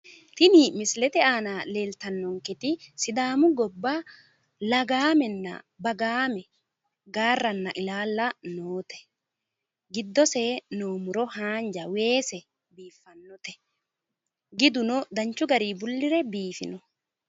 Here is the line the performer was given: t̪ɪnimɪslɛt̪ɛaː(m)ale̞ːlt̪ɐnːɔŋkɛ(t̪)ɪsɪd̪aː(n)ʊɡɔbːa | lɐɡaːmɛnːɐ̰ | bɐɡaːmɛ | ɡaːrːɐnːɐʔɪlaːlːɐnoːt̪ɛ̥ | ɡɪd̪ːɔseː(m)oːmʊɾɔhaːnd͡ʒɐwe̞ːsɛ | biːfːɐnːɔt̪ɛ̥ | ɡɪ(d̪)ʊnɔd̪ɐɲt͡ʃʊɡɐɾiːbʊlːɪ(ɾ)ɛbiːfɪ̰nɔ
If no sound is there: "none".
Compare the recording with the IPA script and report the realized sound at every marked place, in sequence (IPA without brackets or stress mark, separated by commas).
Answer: n, t̪, m, n, d̪, ɾ